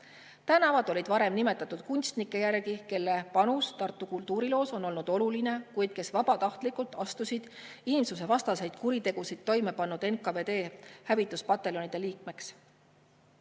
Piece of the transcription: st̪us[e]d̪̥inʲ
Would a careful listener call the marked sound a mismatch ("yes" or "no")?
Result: yes